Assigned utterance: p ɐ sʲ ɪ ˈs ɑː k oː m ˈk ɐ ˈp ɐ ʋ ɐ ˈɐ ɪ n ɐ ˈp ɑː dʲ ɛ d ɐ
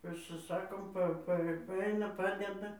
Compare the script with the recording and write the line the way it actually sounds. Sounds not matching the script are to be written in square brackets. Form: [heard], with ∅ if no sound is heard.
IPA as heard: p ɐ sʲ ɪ ˈs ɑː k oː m [ˈp] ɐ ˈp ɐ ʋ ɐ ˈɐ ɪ n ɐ ˈp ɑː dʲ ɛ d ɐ